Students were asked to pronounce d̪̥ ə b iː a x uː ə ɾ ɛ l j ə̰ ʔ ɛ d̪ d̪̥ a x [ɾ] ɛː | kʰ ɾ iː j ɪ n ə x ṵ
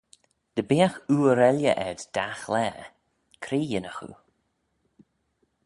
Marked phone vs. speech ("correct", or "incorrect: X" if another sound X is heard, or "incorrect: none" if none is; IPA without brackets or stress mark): incorrect: l